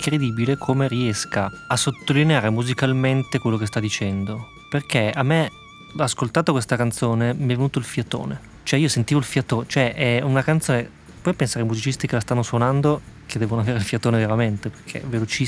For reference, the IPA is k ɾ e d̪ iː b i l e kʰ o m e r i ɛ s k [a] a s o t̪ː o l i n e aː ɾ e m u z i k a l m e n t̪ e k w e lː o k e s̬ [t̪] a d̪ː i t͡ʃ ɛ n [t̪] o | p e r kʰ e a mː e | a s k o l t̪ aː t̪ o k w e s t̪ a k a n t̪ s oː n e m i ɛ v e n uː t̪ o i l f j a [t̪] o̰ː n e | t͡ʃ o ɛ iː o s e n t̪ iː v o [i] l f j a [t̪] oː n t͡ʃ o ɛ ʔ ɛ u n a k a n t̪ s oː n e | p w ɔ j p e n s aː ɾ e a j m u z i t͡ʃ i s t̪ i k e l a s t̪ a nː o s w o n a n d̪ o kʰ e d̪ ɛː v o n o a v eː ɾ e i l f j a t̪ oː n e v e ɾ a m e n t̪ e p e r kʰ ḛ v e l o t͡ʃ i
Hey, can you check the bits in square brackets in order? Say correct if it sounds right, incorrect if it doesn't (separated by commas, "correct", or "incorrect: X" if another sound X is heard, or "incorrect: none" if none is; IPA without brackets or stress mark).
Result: correct, correct, incorrect: d̪, correct, correct, correct